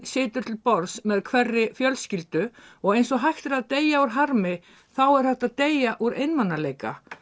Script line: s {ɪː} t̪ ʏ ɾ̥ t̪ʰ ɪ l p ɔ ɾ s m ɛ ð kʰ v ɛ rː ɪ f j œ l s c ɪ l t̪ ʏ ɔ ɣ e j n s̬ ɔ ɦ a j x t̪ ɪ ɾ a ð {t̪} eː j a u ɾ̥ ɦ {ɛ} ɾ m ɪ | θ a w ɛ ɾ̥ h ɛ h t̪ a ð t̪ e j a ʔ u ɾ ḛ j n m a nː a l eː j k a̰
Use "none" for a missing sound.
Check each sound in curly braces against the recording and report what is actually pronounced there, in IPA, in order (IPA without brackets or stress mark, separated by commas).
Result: ɪː, t̪, a